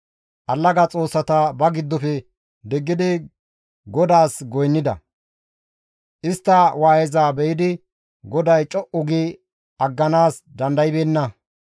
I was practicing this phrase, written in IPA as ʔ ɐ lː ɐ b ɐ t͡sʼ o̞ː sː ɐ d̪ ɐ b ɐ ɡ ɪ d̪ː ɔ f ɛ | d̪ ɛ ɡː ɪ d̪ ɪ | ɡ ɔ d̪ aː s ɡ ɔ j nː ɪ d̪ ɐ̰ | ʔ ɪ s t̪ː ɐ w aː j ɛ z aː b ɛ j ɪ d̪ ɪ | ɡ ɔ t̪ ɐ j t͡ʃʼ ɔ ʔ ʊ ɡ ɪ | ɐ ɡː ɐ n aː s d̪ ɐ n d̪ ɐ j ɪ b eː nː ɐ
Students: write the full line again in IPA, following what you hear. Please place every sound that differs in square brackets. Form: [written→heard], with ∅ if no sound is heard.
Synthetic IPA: ʔ ɐ lː ɐ [b→ɡ] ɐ t͡sʼ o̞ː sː ɐ [d̪→t̪] ɐ b ɐ ɡ ɪ d̪ː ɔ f ɛ | d̪ ɛ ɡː ɪ d̪ ɪ | ɡ ɔ d̪ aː s ɡ ɔ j nː ɪ d̪ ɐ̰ | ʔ ɪ s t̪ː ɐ w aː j ɛ z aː b ɛ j ɪ d̪ ɪ | ɡ ɔ [t̪→d̪] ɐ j t͡ʃʼ ɔ ʔ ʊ ɡ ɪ | ɐ ɡː ɐ n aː s d̪ ɐ n d̪ ɐ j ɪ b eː nː ɐ